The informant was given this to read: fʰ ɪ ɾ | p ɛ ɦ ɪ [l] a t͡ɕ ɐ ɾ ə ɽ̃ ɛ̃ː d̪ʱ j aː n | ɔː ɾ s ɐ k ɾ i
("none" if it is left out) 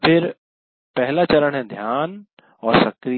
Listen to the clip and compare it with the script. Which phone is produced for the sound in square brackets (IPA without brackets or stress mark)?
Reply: l